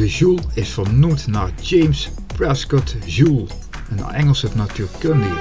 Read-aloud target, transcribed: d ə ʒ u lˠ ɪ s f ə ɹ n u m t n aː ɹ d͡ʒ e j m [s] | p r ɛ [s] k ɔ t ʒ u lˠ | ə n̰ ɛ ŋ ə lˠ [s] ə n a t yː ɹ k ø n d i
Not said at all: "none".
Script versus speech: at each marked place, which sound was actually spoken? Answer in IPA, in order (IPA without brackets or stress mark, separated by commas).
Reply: s, s, s